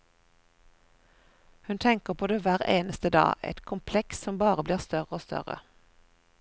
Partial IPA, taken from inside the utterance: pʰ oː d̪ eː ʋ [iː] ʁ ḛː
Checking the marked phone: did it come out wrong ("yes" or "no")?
yes